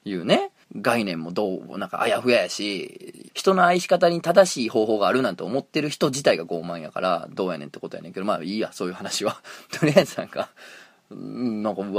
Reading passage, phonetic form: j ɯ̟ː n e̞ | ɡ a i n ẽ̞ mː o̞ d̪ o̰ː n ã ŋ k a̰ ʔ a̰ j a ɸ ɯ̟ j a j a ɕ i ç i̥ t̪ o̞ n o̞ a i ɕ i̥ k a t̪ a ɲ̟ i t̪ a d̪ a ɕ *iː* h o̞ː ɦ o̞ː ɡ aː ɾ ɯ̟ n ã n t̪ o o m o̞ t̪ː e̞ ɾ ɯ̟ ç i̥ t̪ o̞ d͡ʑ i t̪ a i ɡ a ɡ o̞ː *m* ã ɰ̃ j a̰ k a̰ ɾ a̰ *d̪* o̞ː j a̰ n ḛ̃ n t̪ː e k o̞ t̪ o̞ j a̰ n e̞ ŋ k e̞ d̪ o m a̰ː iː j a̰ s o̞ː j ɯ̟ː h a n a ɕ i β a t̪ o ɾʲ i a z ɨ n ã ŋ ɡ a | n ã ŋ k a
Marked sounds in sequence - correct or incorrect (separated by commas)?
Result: correct, correct, correct